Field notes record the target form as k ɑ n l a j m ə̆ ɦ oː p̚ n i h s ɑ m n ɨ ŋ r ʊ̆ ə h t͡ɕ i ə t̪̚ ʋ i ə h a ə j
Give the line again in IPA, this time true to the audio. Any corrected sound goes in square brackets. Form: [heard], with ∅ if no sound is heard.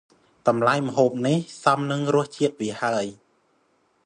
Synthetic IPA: k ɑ [m] l a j m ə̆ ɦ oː p̚ n i h s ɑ m n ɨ ŋ r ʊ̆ ə h t͡ɕ i ə t̪̚ ʋ i ə h a ə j